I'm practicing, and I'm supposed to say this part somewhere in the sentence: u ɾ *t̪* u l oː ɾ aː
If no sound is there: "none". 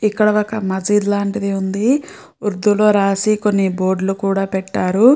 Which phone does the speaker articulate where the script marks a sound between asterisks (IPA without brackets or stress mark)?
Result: d̪